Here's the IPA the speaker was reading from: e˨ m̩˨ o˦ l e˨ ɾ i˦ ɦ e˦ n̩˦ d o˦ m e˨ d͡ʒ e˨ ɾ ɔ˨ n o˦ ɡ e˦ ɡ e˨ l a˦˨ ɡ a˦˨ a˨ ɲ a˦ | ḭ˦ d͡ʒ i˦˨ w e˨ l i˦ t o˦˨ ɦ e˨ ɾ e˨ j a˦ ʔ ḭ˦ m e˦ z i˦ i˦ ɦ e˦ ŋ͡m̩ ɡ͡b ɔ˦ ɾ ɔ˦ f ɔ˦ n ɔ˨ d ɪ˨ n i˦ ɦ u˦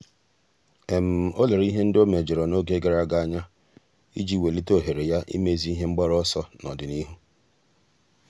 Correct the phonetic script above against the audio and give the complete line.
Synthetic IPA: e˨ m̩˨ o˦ l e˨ ɾ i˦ ɦ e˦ n̩˦ d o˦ m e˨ d͡ʒ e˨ ɾ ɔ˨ n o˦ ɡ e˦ ɡ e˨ ɾ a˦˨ ɡ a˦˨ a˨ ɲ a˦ | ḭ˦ d͡ʒ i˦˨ w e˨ l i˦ t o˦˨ ɦ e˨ ɾ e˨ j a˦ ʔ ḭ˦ m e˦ z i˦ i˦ ɦ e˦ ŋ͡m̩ ɡ͡b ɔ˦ ɾ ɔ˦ s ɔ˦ n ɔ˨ d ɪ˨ n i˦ ɦ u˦

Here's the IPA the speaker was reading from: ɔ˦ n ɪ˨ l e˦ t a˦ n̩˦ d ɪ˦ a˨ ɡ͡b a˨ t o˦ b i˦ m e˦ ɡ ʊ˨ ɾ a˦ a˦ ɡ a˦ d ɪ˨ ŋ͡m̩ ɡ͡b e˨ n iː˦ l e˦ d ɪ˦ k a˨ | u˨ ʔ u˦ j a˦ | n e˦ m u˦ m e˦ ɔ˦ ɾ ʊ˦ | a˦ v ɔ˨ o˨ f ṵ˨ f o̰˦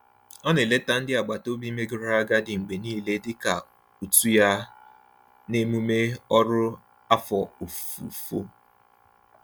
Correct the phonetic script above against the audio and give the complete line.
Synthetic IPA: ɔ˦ n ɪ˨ l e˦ t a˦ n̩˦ d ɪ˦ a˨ ɡ͡b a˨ t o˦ b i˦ m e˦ ɡ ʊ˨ ɾ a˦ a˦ ɡ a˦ d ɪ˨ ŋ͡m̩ ɡ͡b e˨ n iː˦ l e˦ d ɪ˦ k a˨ | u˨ t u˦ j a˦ | n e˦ m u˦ m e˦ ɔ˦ ɾ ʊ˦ | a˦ f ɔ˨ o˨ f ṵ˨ f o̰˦

